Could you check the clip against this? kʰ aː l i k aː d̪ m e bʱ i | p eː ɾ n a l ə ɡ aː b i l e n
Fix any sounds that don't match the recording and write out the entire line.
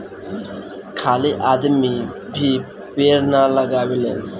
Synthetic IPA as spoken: kʰ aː l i ʔ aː d̪ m i bʱ i | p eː ɾ n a l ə ɡ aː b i l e n